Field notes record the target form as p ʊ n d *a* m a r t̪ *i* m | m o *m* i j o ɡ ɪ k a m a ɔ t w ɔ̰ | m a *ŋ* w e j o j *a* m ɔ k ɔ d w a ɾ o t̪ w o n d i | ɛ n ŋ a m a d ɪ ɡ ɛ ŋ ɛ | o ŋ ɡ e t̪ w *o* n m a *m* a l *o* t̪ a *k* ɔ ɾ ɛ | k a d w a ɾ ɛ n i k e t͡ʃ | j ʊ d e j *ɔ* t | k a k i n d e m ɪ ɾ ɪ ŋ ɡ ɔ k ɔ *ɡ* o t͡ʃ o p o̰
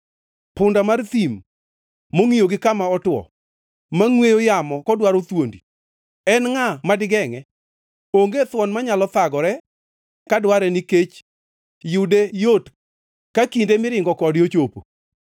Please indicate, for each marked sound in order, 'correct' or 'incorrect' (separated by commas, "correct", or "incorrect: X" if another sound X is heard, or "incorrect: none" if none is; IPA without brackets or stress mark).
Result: correct, correct, incorrect: ŋ, correct, correct, incorrect: ɔ, incorrect: ɲ, incorrect: ɔ, incorrect: ɡ, incorrect: o, incorrect: d